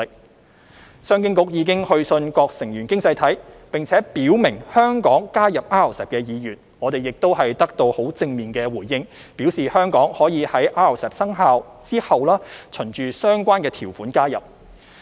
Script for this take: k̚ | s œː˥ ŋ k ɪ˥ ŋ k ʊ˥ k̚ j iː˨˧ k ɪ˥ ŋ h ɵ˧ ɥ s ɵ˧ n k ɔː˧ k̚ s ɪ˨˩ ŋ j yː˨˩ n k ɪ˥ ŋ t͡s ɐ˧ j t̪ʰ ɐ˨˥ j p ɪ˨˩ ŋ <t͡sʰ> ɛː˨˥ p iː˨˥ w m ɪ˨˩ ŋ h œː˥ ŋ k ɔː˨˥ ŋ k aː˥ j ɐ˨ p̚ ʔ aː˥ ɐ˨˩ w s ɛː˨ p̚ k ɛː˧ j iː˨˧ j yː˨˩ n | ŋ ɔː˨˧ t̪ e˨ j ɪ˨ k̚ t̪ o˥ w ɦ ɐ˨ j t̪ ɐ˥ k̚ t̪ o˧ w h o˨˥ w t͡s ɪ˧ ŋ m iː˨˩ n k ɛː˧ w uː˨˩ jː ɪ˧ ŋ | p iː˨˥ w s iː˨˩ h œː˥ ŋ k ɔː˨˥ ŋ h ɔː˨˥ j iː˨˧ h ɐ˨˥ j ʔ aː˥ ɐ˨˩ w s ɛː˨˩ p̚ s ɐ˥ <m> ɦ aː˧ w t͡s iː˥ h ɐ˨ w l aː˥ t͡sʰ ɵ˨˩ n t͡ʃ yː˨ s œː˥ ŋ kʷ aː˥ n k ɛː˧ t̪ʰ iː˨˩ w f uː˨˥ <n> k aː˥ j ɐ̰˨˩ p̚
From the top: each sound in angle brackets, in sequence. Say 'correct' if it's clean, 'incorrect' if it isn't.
correct, incorrect: ŋ, correct

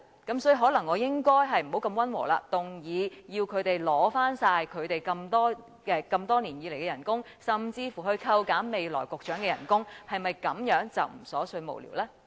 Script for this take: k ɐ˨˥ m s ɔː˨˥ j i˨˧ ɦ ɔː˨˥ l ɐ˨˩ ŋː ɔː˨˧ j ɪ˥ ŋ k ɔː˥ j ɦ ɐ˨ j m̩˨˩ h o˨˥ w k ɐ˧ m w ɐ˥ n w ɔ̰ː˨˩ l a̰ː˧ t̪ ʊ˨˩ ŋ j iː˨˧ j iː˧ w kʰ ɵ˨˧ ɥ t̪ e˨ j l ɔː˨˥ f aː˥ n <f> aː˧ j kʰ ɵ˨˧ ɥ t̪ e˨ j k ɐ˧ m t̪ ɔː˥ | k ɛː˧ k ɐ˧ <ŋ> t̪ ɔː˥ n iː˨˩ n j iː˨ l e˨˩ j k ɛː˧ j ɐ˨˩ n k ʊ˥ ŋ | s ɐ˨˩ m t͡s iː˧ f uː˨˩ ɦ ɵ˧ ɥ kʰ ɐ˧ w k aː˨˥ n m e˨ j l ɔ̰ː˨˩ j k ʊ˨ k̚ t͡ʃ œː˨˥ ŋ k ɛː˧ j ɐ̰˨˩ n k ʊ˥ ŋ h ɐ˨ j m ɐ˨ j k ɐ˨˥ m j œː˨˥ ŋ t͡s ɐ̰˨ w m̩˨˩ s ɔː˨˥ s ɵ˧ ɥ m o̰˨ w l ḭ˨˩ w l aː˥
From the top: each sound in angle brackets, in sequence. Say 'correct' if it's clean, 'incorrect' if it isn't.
incorrect: s, incorrect: m

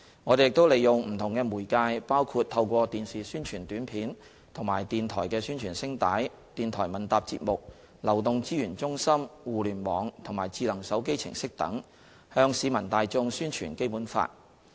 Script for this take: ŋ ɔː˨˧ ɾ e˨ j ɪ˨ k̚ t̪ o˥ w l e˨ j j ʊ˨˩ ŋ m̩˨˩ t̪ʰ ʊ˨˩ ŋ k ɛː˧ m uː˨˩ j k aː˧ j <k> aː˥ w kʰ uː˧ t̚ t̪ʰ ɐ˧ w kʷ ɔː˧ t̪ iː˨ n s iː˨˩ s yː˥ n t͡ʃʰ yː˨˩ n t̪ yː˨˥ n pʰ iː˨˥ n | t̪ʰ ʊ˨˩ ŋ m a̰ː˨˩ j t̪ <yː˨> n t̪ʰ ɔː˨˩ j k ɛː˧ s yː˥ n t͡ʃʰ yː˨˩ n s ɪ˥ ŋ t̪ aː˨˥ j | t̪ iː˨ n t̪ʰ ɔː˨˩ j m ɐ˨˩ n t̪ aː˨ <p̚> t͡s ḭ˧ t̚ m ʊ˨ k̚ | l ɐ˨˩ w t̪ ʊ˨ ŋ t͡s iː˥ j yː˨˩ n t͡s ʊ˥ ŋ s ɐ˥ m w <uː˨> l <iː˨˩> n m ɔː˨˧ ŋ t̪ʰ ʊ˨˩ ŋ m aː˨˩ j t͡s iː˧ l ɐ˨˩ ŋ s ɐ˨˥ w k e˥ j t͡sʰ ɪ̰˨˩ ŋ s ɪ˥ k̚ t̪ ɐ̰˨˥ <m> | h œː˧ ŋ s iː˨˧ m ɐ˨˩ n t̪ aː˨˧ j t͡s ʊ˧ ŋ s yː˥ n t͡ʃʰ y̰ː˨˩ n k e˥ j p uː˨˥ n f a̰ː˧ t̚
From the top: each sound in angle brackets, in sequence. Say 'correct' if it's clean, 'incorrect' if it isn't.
incorrect: p, incorrect: iː˨, correct, correct, incorrect: yː˨˩, incorrect: ŋ

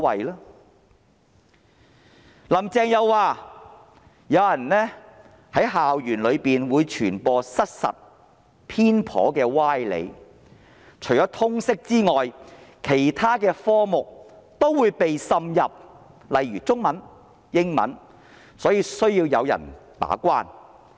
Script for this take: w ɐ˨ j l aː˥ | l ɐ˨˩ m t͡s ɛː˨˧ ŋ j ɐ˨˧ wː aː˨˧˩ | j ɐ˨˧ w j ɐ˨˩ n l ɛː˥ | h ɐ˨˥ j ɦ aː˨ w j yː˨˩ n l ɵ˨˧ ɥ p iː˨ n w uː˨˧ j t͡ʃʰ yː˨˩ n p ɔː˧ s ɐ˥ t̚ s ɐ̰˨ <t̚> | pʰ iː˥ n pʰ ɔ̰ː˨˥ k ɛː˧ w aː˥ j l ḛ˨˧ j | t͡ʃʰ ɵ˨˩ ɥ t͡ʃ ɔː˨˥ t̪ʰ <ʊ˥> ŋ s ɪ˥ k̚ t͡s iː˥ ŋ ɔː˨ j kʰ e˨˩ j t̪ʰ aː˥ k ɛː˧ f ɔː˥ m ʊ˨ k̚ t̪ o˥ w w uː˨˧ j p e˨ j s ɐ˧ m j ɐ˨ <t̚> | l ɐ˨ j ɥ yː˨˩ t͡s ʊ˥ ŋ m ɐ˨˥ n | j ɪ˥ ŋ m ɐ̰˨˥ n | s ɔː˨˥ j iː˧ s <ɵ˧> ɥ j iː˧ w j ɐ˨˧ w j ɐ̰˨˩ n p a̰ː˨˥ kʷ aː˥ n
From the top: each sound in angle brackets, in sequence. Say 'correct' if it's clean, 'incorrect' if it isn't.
correct, correct, incorrect: p̚, incorrect: ɵ˥

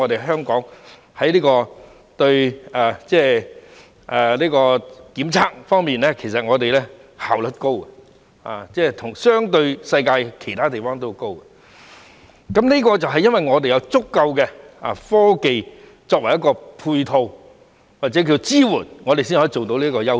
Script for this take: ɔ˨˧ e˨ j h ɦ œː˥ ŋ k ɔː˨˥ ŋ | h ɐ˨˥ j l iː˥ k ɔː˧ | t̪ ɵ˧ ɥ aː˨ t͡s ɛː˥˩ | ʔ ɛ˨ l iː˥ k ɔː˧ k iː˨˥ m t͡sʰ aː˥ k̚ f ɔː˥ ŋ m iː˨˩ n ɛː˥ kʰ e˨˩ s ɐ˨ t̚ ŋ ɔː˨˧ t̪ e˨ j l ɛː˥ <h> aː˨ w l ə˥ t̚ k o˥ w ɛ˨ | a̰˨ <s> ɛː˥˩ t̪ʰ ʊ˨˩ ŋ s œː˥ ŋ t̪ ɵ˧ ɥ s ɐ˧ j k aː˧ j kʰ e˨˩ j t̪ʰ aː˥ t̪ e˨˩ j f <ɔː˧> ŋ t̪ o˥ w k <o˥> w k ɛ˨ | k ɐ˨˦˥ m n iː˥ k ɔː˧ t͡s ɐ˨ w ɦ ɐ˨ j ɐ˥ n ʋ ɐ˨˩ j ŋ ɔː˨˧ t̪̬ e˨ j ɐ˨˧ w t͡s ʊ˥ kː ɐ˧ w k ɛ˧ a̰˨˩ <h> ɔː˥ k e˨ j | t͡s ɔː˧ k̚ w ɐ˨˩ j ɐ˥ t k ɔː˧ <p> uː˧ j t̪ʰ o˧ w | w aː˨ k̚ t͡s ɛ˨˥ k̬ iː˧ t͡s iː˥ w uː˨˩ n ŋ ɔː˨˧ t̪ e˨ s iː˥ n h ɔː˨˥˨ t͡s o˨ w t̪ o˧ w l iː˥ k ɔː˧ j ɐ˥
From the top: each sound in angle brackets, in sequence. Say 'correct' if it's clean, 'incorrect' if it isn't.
correct, incorrect: t͡s, incorrect: ɔː˥, correct, incorrect: f, incorrect: pʰ

